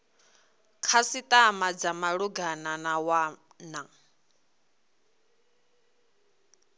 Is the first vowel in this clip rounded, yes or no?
no